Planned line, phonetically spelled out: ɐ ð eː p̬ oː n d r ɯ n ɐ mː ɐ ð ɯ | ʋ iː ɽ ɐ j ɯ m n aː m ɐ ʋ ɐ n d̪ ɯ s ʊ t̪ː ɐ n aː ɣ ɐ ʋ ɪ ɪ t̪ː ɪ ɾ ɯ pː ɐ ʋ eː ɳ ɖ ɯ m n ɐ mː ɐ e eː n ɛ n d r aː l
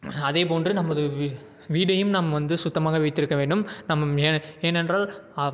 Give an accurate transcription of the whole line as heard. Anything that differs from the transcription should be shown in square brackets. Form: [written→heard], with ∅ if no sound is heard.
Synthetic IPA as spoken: ɐ ð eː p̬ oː n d r ɯ n ɐ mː ɐ ð ɯ | ʋ iː ɽ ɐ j ɯ m n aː m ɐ ʋ ɐ n d̪ ɯ s ʊ t̪ː ɐ [n→m] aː ɣ ɐ ʋ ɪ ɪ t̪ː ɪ ɾ ɯ [pː→kː] ɐ ʋ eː ɳ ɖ ɯ m n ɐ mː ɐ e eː n ɛ n d r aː l